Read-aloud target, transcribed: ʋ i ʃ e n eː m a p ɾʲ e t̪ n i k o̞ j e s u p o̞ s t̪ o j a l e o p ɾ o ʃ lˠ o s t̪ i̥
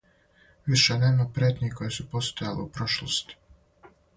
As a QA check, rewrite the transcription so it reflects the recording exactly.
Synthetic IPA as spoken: ʋ i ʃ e n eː m a p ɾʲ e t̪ n i k o̞ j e s u p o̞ s t̪ o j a l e u p ɾ o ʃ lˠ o s t̪ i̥